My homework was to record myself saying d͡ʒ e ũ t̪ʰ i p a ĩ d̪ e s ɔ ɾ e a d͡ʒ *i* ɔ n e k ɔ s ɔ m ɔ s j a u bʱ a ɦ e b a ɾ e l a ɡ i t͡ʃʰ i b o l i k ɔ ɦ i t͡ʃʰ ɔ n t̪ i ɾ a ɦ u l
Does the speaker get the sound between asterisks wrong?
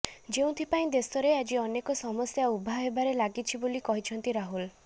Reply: no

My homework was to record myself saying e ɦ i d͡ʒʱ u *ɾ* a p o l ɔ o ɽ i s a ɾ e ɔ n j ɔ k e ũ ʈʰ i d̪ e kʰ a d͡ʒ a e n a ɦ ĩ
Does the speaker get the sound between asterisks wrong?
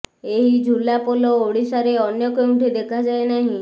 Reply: yes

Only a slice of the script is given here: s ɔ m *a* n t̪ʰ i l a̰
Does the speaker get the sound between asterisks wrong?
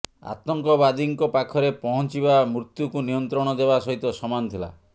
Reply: no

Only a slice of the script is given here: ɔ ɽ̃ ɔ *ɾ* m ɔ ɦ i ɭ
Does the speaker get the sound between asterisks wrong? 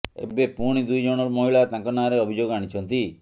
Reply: no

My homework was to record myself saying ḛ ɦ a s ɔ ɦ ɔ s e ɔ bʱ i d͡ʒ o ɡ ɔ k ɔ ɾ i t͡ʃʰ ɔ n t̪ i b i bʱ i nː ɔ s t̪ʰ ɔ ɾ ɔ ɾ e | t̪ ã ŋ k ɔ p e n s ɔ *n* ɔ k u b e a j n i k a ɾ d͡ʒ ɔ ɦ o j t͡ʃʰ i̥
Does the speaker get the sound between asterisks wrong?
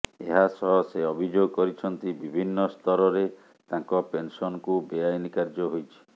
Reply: no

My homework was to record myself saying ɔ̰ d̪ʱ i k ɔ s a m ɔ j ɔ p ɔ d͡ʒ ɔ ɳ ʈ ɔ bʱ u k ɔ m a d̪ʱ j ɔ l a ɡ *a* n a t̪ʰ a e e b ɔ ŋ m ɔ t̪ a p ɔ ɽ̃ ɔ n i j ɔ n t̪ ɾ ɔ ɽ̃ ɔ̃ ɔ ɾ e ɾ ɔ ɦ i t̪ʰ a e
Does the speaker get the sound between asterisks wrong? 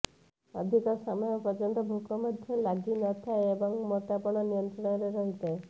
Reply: yes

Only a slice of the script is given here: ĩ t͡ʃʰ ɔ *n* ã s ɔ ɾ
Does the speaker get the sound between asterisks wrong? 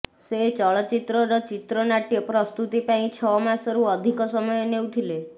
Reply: yes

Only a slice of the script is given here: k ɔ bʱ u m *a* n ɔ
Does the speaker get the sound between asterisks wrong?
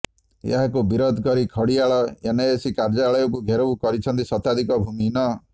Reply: yes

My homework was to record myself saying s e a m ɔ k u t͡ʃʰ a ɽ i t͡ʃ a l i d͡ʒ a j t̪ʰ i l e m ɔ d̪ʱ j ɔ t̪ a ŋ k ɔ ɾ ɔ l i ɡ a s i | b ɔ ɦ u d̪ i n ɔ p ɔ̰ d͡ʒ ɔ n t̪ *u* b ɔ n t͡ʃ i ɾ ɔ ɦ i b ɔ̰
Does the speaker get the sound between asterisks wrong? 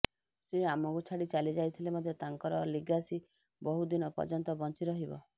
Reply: yes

